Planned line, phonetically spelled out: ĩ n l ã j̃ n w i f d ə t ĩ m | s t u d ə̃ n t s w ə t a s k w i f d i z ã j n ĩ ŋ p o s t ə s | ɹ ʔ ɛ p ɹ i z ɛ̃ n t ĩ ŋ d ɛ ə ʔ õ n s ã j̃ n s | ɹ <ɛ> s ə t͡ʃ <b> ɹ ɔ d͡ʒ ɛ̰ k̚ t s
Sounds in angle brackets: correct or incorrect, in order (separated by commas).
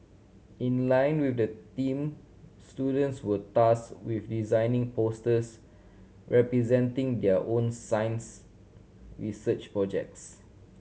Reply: incorrect, incorrect